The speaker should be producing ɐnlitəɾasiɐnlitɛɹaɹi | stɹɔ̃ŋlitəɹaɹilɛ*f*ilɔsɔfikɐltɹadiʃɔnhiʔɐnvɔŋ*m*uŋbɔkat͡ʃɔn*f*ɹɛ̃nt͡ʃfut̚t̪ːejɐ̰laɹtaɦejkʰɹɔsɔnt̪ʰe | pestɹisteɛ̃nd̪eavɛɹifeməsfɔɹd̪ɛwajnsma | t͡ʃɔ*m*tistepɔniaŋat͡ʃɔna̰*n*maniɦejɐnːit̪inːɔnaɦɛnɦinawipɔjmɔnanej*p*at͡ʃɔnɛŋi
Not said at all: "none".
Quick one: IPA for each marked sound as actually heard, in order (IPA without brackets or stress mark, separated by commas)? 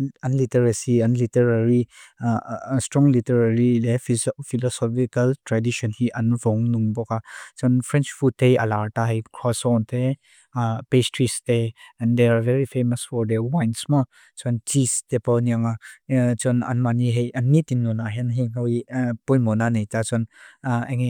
f, n, f, n, n, t